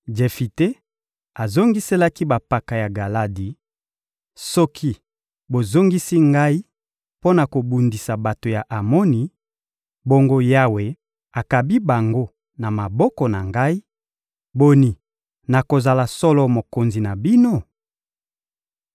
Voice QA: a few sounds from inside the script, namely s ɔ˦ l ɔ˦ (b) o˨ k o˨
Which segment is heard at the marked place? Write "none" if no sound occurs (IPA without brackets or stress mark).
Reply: m